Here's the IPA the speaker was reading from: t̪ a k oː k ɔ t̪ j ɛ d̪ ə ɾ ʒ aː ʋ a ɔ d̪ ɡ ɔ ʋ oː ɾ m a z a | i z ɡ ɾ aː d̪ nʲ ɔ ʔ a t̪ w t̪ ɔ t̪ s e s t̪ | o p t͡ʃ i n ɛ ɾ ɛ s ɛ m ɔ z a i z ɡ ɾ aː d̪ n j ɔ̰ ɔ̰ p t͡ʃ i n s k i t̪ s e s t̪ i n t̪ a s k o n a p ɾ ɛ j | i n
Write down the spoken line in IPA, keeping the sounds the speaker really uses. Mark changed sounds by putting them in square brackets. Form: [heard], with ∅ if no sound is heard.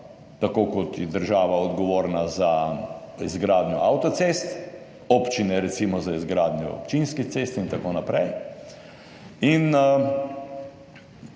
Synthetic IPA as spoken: t̪ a k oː k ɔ t̪ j ɛ d̪ ə ɾ ʒ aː ʋ a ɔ d̪ ɡ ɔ ʋ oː ɾ [n] a z a | i z ɡ ɾ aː d̪ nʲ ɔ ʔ a [∅] w t̪ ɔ t̪ s e s t̪ | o p t͡ʃ i n ɛ ɾ ɛ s [i] m ɔ z a i z ɡ ɾ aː d̪ n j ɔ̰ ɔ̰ p t͡ʃ i n s k i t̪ s e s t̪ i n t̪ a [∅] k o n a p ɾ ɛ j | i n